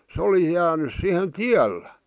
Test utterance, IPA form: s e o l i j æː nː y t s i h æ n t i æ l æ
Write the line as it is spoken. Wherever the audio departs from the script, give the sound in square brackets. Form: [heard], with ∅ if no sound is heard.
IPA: s e o l i j æː [n] y [s] s i h [e] n t i æ [lː] æ